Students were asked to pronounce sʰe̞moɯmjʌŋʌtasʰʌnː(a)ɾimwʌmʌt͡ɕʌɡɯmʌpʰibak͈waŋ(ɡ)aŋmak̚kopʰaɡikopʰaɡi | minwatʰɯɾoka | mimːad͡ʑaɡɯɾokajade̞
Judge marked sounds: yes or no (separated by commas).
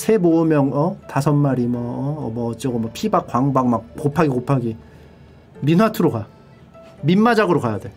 yes, no